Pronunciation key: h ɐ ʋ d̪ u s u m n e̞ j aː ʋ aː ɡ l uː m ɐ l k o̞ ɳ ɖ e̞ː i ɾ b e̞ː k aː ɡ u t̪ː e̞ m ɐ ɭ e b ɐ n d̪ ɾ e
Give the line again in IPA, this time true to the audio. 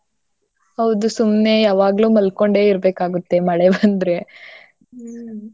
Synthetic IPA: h ɐ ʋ d̪ u s u m n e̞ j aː ʋ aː ɡ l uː m ɐ l k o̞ ɳ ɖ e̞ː i ɾ b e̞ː k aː ɡ u t̪ː e̞ m ɐ ɭ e b ɐ n d̪ ɾ e